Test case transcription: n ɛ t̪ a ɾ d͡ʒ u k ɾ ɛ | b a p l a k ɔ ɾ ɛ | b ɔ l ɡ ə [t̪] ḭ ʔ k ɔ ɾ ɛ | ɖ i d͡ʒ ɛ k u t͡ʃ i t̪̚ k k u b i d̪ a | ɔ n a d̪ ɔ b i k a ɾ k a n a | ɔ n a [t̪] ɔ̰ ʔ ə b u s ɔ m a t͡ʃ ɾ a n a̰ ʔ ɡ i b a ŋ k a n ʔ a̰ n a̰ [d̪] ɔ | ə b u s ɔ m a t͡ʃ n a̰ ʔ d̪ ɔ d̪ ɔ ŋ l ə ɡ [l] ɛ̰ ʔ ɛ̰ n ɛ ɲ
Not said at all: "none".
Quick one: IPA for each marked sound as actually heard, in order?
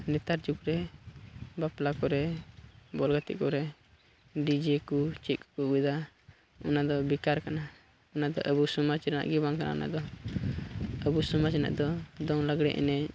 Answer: t̪, d̪, d̪, ɽ

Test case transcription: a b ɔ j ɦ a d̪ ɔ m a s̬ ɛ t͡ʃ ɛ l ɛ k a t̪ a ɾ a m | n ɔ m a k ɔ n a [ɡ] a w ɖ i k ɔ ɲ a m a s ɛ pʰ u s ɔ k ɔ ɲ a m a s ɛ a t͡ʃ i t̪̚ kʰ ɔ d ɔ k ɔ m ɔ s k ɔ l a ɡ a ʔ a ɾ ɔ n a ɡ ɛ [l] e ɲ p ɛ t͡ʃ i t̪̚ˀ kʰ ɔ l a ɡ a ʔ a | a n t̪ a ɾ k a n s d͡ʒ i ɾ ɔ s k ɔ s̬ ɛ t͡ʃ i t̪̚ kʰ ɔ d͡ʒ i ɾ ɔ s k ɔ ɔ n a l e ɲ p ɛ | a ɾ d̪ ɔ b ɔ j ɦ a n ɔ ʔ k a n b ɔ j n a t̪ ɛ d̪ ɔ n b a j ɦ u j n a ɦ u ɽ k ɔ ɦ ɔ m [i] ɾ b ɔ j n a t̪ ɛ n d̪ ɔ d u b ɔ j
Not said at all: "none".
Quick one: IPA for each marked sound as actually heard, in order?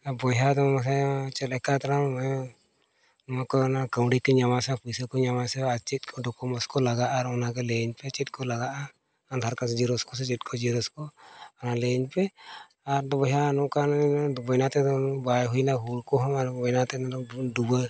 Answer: k, l, a

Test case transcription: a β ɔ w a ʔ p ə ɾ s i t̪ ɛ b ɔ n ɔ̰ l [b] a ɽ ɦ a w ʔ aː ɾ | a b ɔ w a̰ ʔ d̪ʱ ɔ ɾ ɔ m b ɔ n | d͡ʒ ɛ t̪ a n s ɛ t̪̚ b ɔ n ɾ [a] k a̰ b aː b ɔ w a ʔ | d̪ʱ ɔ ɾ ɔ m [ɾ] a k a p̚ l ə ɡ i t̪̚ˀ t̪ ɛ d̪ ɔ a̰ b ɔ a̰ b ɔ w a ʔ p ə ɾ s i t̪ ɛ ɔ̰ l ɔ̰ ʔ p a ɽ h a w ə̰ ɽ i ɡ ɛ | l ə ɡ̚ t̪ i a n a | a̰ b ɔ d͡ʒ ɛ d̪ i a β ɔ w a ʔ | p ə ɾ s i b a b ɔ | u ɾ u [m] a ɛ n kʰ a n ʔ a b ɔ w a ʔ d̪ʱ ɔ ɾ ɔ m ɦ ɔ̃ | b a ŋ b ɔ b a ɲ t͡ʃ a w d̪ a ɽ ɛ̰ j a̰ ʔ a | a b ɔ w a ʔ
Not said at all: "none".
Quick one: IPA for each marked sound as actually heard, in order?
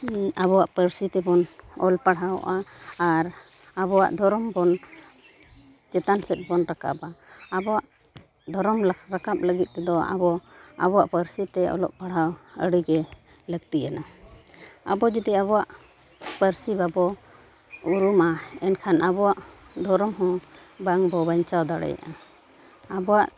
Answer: p, a, ɾ, m

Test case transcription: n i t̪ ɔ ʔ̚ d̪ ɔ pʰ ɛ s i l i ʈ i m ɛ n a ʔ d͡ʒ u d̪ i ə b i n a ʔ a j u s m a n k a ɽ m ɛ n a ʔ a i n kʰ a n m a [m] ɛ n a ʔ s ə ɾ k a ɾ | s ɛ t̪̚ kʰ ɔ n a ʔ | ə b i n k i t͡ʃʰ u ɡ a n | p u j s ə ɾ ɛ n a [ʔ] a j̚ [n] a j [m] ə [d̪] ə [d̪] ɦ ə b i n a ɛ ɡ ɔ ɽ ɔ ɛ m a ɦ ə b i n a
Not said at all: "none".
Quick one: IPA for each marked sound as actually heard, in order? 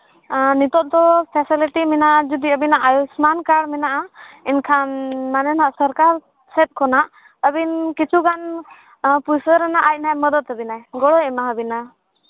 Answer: n, ʔ, n, m, d̪, t̪

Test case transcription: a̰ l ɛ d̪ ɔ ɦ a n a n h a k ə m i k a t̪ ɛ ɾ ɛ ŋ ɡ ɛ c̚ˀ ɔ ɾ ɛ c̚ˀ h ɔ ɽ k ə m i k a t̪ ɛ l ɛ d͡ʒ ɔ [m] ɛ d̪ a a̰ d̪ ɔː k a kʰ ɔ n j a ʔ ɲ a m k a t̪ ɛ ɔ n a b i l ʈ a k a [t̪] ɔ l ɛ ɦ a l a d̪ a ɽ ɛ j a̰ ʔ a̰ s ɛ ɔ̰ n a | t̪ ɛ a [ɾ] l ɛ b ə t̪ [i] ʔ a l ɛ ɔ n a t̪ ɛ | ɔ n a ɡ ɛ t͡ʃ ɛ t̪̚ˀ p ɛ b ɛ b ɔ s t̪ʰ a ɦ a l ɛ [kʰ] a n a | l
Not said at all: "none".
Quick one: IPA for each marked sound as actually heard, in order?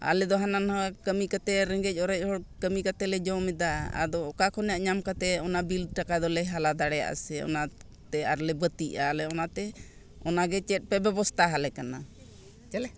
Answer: m, d̪, ɾ, i, k

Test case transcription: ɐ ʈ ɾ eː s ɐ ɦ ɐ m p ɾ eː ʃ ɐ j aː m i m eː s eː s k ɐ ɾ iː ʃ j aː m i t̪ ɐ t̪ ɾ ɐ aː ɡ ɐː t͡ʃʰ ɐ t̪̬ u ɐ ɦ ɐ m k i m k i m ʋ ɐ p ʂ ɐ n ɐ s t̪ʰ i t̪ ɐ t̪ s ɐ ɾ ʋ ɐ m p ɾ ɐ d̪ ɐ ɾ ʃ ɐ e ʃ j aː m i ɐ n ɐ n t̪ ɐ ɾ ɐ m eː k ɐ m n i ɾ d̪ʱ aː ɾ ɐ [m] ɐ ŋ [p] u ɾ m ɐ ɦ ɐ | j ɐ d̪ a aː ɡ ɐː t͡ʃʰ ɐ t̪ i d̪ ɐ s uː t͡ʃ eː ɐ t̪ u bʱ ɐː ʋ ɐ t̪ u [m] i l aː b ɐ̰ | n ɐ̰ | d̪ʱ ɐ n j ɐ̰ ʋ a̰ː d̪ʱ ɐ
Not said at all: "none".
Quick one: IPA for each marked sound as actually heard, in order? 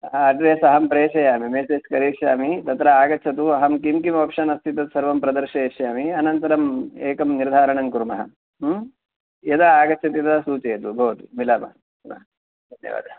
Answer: ɳ, k, m

